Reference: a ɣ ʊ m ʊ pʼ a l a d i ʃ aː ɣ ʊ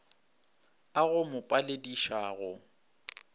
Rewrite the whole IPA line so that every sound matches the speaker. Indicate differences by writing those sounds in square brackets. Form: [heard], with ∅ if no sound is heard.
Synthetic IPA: a ɣ ʊ m ʊ pʼ a l [e] d i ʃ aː ɣ ʊ